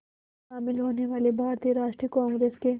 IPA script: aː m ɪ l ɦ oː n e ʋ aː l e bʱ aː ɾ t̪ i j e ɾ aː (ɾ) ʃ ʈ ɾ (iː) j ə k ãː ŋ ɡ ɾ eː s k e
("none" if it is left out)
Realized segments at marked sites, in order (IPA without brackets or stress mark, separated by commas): none, i